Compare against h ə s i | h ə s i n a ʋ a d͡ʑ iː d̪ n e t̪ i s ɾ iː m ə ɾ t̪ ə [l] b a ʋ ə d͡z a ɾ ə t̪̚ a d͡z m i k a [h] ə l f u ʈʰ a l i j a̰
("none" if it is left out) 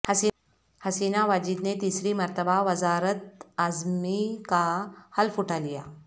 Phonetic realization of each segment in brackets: none, h

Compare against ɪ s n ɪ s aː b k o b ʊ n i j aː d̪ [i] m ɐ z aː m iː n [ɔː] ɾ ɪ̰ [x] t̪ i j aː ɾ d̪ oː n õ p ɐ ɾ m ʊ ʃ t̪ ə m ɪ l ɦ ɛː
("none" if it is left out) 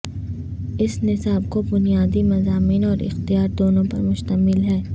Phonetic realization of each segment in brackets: i, ɔː, x

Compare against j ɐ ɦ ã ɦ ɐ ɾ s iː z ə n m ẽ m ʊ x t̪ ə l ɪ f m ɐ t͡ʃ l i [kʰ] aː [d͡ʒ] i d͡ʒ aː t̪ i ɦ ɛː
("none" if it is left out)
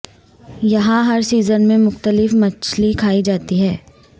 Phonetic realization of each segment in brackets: kʰ, none

